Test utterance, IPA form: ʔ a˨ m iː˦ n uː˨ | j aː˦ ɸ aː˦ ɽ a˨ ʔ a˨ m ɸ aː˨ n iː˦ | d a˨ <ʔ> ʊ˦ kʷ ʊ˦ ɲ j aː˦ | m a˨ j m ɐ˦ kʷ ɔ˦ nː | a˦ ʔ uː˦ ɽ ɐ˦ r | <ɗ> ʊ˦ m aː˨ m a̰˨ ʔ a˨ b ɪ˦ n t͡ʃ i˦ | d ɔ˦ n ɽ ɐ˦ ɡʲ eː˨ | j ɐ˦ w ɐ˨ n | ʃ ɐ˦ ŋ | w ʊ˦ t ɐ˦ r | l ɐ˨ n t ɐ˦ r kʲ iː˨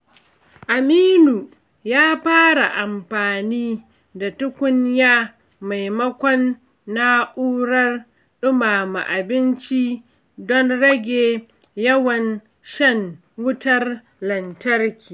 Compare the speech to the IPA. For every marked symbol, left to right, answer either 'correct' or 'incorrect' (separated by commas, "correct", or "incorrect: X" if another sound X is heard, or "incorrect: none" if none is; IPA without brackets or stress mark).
incorrect: t, correct